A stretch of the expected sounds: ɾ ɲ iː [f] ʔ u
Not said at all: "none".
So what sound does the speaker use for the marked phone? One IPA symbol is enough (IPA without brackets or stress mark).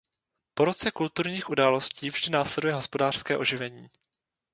x